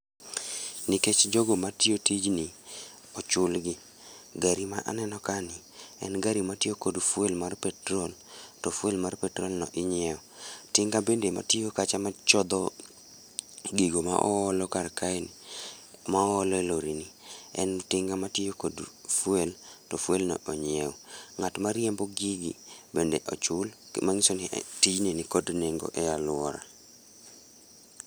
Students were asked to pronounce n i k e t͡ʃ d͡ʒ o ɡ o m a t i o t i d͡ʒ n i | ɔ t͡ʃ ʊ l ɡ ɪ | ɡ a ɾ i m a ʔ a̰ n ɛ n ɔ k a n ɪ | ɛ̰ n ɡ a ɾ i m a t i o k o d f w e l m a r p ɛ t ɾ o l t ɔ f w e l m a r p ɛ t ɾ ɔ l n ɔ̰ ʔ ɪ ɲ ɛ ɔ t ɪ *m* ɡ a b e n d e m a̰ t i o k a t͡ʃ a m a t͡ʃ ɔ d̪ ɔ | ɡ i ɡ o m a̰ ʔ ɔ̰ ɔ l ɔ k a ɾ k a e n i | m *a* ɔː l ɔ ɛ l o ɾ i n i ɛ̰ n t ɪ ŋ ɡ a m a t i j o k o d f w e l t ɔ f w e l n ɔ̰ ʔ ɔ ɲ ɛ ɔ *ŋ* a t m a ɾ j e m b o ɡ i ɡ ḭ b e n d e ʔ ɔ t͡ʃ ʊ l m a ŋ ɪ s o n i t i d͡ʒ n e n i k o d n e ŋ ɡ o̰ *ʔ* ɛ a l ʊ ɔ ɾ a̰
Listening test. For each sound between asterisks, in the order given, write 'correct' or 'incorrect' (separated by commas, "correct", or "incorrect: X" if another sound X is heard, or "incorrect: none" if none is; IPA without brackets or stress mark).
incorrect: ŋ, correct, correct, correct